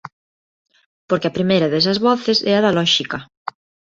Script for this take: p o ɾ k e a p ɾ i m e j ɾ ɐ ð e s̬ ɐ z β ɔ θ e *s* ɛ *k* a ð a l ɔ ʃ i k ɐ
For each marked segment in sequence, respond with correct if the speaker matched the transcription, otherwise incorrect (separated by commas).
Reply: correct, incorrect